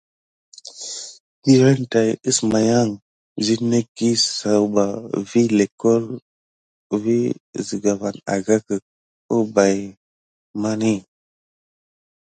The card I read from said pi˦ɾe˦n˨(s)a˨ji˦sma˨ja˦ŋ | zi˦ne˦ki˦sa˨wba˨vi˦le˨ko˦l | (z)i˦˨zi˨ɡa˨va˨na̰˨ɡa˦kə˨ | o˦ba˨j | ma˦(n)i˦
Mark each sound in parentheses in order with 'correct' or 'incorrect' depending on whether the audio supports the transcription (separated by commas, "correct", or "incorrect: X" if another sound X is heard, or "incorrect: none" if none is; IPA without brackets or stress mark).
incorrect: t, incorrect: v, correct